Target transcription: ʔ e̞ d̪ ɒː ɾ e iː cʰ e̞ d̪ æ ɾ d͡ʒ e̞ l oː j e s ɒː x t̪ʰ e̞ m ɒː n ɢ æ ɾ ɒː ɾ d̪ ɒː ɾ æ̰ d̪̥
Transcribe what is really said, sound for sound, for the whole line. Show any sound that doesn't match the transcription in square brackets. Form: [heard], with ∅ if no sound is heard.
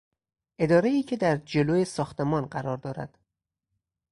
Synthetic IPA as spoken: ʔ e̞ d̪ ɒː ɾ e iː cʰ e̞ d̪ æ ɾ d͡ʒ e̞ l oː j e s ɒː x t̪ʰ e̞ m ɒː n ɢ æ ɾ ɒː ɾ d̪ ɒː ɾ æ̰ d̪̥